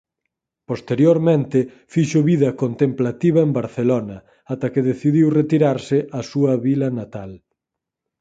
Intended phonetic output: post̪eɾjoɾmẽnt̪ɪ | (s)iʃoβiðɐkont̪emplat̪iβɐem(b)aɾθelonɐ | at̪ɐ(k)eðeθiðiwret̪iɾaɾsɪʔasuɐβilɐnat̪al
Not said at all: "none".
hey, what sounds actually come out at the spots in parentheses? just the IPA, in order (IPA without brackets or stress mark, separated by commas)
f, b, k